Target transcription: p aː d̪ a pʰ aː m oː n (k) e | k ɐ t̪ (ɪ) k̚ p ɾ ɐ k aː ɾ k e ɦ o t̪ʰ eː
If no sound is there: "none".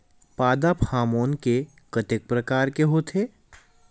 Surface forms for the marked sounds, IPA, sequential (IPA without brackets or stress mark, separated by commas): k, ɪ